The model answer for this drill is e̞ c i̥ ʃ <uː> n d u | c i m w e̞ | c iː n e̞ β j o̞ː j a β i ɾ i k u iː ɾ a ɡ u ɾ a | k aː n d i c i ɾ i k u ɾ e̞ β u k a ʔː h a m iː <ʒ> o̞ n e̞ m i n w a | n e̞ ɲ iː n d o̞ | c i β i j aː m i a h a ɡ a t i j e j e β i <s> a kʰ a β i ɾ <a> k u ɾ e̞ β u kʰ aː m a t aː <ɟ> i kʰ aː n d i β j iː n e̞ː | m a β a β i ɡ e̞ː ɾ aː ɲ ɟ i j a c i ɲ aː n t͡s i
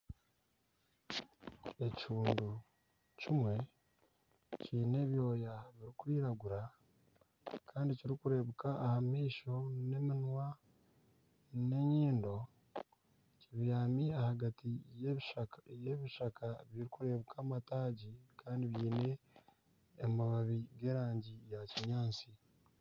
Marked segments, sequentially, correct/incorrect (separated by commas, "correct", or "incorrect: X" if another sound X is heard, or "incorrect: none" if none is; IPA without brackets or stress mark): correct, incorrect: ʃ, incorrect: ʃ, incorrect: i, correct